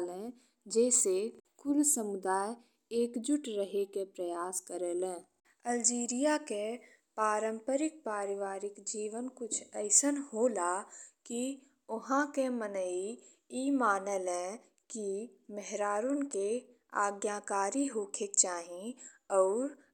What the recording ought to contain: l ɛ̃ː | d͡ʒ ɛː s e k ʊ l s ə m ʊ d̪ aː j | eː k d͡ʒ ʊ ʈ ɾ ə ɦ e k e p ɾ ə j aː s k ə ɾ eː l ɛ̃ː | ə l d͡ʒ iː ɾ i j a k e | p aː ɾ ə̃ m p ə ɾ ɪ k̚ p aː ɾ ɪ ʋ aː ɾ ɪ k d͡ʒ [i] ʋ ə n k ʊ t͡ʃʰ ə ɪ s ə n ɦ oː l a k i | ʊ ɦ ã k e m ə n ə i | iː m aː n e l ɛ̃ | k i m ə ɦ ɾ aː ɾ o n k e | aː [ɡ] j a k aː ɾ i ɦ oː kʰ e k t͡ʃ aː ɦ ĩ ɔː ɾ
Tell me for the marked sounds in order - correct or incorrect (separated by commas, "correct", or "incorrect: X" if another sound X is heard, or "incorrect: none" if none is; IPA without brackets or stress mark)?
incorrect: iː, correct